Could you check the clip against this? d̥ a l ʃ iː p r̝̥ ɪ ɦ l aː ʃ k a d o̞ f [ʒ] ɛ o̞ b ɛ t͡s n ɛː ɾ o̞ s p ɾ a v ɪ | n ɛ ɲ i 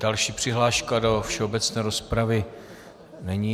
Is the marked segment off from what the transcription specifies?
yes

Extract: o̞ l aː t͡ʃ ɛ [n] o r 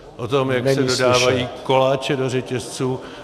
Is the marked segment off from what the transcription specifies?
yes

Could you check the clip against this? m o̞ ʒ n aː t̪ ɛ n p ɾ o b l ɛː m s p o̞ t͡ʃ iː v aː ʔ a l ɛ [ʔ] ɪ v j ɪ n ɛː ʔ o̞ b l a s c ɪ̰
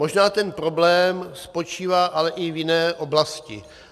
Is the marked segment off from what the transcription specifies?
no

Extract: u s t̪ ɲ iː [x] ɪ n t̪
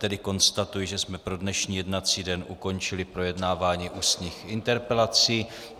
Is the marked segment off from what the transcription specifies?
no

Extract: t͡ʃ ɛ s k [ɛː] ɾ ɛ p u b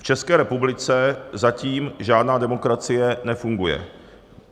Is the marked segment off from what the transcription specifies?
no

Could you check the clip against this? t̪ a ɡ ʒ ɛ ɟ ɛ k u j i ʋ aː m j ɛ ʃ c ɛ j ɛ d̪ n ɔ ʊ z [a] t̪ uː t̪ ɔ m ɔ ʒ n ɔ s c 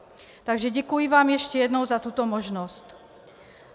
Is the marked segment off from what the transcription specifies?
no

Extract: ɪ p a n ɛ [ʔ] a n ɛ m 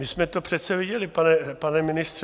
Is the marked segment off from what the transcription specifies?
yes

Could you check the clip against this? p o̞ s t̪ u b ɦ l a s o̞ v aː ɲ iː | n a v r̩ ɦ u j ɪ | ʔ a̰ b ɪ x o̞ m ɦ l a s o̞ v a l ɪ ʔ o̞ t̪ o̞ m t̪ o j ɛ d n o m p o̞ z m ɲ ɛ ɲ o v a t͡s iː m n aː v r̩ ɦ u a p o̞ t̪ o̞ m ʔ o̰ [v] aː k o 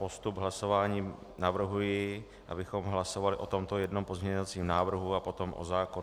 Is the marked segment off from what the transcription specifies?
yes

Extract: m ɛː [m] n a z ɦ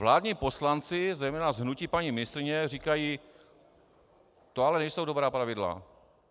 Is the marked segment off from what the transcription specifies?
yes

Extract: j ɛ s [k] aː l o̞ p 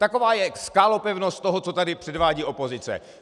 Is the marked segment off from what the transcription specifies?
no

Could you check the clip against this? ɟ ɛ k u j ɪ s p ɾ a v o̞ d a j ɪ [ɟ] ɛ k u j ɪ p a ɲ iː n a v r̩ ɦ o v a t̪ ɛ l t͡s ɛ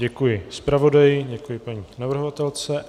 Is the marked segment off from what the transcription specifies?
no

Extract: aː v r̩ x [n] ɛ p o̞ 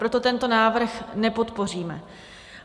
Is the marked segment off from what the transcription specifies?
no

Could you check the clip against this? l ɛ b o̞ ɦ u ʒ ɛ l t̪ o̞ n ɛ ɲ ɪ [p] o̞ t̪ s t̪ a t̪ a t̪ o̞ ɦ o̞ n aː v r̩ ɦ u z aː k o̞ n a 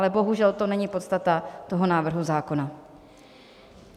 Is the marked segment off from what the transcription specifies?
no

